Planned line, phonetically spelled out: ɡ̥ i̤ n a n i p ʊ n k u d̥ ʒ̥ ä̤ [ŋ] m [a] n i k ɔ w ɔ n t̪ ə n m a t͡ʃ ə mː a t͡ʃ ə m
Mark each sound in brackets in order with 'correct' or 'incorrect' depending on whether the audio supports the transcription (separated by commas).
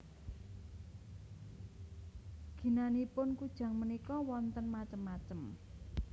correct, incorrect